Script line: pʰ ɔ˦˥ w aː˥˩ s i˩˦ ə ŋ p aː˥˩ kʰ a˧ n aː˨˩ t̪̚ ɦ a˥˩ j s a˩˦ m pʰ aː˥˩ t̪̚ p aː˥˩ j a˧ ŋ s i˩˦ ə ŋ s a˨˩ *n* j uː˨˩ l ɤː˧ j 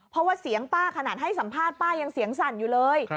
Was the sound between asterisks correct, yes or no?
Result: yes